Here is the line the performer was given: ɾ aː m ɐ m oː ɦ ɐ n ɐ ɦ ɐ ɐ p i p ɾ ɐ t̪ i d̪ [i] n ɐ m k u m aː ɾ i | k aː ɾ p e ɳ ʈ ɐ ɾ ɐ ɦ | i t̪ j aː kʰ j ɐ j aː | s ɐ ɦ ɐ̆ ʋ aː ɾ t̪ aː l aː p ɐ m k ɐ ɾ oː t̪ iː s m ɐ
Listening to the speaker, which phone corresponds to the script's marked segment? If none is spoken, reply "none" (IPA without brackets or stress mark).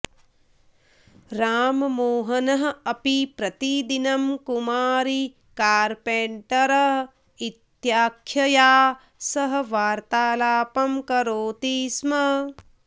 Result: i